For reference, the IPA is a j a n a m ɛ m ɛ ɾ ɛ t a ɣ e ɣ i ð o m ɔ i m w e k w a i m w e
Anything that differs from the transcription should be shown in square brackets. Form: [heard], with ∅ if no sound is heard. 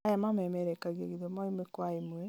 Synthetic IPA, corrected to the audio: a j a [m] a m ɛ m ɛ ɾ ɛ [k] a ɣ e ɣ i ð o m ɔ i m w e k w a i m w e